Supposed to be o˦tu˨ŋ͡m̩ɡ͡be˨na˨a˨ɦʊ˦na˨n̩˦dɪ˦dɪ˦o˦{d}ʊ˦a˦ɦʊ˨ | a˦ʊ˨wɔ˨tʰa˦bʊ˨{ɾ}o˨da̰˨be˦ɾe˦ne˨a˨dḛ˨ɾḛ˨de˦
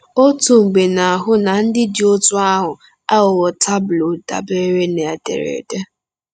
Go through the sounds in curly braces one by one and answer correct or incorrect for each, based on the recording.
incorrect: t, incorrect: l

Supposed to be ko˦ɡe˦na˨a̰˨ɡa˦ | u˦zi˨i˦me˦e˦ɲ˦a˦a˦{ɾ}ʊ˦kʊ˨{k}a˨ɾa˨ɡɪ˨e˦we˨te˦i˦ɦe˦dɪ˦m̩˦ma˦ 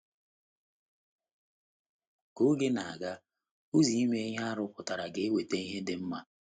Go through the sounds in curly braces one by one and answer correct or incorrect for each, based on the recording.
correct, incorrect: t

